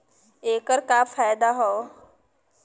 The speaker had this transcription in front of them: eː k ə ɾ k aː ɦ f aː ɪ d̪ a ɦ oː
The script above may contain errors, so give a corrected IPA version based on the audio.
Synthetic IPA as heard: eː k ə ɾ k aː f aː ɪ d̪ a ɦ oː